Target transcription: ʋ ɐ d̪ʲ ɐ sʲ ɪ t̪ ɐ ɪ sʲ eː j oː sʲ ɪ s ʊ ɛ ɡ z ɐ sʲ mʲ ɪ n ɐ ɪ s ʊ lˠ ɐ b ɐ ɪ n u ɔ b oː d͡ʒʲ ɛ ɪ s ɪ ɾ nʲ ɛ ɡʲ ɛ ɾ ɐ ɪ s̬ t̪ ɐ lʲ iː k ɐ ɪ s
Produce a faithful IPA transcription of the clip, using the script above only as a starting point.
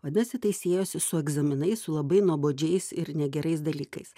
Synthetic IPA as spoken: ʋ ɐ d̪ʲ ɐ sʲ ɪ t̪ ɐ ɪ sʲ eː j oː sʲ ɪ s ʊ ɛ ɡ z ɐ mʲ ɪ n ɐ ɪ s ʊ lˠ ɐ b ɐ ɪ n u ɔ b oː d͡ʒʲ ɛ ɪ s ɪ ɾ nʲ ɛ ɡʲ ɛ ɾ ɐ ɪ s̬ d̪ ɐ lʲ iː k ɐ ɪ s